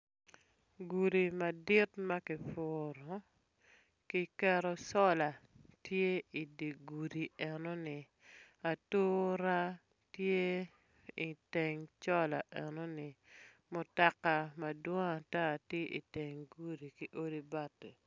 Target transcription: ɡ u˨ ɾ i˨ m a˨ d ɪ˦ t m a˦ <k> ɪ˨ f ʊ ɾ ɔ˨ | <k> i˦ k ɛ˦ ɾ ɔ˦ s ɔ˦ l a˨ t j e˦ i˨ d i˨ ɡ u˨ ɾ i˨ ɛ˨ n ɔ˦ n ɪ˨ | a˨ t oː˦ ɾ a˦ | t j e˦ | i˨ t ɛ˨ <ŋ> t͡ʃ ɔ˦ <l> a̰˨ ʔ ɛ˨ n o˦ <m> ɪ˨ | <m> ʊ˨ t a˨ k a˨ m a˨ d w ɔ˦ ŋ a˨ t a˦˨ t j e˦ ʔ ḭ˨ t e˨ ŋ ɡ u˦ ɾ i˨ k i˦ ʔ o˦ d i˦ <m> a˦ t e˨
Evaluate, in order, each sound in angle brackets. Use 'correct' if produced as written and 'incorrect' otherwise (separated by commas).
correct, correct, correct, correct, incorrect, correct, incorrect